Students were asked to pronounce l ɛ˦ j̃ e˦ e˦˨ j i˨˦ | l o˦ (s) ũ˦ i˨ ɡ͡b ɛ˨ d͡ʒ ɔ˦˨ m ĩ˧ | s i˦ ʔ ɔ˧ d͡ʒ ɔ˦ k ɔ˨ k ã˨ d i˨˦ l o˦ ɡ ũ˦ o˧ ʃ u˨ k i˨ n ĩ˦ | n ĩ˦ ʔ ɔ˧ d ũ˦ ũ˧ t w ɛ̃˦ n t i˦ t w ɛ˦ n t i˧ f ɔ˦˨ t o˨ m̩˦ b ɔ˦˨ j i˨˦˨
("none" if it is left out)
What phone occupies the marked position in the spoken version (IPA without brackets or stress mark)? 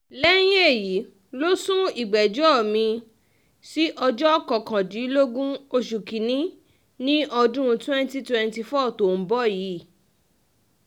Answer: s